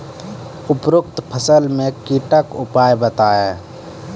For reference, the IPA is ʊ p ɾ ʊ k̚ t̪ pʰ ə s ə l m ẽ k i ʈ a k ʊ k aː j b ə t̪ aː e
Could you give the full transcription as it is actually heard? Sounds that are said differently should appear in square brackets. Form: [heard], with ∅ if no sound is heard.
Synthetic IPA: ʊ p ɾ ʊ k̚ t̪ pʰ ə s ə l m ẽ k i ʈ [ə] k ʊ [p] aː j b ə t̪ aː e